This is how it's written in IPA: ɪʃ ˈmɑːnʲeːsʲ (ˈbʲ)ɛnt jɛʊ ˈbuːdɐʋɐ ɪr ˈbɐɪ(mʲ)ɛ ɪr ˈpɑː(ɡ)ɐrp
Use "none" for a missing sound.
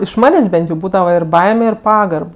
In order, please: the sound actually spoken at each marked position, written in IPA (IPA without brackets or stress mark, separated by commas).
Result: bʲ, mʲ, ɡ